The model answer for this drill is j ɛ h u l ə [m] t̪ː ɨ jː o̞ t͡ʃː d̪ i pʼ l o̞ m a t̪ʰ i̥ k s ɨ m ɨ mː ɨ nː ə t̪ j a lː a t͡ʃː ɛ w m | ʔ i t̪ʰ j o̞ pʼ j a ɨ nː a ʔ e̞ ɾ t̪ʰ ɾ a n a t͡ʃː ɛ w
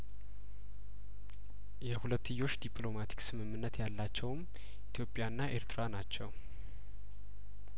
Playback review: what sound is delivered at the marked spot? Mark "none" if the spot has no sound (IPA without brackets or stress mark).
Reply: none